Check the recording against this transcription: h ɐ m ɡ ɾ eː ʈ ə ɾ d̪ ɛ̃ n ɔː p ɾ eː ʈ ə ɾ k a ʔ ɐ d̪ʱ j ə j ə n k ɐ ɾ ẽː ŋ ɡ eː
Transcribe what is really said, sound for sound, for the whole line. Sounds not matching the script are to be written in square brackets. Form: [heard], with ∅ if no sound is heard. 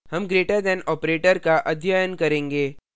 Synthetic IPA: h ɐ m ɡ ɾ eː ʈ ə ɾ d̪ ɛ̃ n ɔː p ɾ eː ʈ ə ɾ k a ʔ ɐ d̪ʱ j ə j ə n k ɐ ɾ ẽː ŋ ɡ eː